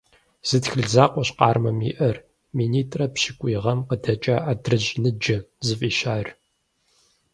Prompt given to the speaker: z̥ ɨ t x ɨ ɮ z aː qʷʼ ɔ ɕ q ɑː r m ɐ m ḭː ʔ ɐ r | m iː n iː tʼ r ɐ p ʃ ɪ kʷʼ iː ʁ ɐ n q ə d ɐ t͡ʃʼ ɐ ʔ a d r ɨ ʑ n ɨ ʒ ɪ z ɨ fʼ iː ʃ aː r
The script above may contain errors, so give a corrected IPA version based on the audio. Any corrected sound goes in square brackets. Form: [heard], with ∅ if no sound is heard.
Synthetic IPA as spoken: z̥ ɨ t x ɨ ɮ z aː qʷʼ ɔ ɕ q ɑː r m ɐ m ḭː ʔ ɐ r | m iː n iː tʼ r ɐ p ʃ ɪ kʷʼ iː ʁ ɐ [m] q ə d ɐ t͡ʃʼ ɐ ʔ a d r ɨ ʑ n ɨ [d͡ʒ] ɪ z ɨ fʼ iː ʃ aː r